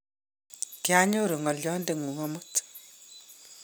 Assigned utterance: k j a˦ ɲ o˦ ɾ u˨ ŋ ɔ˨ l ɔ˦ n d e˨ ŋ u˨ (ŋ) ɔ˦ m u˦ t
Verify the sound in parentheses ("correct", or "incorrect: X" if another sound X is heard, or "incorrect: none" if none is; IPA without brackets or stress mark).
correct